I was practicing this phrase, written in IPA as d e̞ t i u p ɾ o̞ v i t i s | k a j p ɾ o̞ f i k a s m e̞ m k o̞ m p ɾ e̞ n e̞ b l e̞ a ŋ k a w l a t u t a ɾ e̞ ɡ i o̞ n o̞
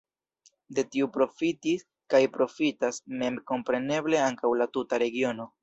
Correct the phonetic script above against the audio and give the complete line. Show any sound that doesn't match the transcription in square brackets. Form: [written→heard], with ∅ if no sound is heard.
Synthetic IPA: d e̞ t i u p ɾ o̞ [v→f] i t i s | k a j p ɾ o̞ f i [k→t] a s m e̞ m k o̞ m p ɾ e̞ n e̞ b l e̞ a ŋ k a w l a t u t a ɾ e̞ ɡ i o̞ n o̞